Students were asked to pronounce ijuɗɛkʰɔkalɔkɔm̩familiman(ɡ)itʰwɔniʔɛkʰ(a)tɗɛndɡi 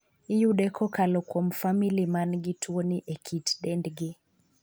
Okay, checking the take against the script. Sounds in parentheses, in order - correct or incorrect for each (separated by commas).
correct, incorrect